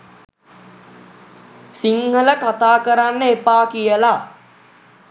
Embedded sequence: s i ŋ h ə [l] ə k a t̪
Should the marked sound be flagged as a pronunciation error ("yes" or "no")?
no